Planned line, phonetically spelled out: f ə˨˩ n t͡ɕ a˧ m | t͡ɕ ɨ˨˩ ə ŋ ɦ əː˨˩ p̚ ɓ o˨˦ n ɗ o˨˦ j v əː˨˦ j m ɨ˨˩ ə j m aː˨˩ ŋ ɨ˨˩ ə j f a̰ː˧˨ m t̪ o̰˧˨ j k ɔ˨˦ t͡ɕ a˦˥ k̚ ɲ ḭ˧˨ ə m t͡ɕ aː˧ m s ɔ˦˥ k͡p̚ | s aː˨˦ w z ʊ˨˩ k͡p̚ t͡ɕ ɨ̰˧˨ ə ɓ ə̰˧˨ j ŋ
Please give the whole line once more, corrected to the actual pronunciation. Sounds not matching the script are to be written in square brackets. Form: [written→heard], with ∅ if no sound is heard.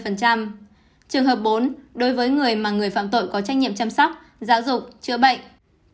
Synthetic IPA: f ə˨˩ n t͡ɕ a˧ m | t͡ɕ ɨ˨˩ ə ŋ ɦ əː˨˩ p̚ ɓ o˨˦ n ɗ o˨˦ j v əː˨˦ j [m→ŋ] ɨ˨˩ ə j m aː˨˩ ŋ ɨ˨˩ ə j f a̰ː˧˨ m t̪ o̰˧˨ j k ɔ˨˦ t͡ɕ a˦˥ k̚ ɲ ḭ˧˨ ə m t͡ɕ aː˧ m s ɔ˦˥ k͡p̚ | [s→z] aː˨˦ w z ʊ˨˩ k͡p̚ t͡ɕ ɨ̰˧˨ ə ɓ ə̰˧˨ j ŋ